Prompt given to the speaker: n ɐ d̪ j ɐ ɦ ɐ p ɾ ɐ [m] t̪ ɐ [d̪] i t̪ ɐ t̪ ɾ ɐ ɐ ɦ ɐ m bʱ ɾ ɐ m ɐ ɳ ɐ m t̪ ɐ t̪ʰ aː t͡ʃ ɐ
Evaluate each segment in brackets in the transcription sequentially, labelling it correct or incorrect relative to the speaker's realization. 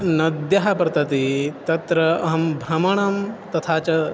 incorrect: none, incorrect: t̪

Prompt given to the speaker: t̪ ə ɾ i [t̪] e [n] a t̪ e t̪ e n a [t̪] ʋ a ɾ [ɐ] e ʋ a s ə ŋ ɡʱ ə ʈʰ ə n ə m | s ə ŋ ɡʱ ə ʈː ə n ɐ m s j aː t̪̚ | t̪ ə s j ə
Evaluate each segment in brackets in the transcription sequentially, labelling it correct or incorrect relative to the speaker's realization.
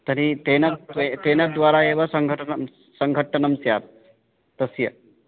correct, correct, incorrect: d̪, incorrect: a

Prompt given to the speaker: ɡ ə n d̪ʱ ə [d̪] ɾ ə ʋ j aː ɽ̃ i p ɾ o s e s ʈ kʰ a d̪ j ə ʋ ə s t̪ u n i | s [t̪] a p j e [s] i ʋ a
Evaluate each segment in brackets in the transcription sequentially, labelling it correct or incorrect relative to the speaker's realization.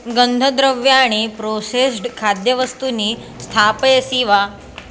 correct, incorrect: t̪ʰ, correct

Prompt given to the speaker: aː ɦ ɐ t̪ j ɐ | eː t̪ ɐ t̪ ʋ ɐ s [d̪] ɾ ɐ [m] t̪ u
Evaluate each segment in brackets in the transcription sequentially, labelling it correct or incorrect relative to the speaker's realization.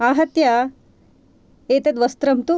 incorrect: t̪, correct

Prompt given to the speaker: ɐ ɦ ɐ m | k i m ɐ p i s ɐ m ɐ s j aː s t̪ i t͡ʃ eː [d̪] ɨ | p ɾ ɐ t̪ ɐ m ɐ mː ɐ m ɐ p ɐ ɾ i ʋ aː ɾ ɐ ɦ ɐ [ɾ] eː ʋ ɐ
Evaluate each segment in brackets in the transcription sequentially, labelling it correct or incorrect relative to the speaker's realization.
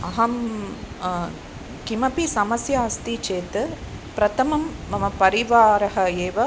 incorrect: t̪, incorrect: none

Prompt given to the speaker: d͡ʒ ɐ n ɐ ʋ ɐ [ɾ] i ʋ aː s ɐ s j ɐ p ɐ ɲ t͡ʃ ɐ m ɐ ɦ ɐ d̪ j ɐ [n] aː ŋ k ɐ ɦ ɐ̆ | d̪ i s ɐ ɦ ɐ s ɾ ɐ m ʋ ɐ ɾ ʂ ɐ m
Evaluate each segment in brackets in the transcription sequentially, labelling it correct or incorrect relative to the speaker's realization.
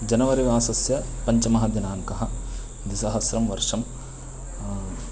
correct, correct

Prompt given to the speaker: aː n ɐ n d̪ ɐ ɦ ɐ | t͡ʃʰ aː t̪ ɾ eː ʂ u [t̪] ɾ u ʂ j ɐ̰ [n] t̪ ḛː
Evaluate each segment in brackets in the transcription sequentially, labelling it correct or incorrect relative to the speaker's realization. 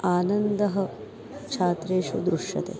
incorrect: d̪, incorrect: none

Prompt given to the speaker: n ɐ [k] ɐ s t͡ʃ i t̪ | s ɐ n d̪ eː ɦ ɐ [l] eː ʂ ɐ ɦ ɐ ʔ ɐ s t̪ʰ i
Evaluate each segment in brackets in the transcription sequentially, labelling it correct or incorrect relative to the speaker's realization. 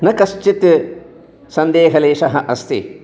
correct, correct

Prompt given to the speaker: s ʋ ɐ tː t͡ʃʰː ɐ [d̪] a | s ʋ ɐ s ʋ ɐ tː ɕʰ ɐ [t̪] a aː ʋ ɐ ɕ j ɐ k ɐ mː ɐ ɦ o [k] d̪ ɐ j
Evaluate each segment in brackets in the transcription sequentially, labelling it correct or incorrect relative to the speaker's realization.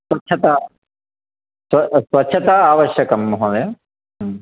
incorrect: t̪, correct, incorrect: none

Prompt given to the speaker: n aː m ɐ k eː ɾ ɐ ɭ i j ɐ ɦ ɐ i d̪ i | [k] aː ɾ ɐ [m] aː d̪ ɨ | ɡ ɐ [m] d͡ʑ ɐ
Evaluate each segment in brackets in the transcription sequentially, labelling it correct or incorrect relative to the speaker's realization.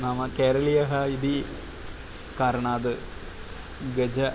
correct, incorrect: ɳ, incorrect: none

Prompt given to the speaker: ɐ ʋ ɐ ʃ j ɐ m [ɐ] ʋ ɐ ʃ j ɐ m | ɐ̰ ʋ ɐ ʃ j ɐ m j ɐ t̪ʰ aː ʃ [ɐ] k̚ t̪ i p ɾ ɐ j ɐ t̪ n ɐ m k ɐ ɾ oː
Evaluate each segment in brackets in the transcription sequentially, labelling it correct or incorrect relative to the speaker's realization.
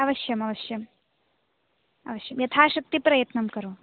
correct, correct

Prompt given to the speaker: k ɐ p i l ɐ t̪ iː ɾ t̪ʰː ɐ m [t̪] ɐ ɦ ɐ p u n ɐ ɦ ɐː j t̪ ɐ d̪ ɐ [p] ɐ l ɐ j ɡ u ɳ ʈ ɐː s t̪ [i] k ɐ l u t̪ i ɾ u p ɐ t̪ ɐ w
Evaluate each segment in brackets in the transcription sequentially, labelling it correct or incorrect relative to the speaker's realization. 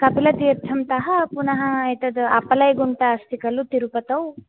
correct, correct, correct

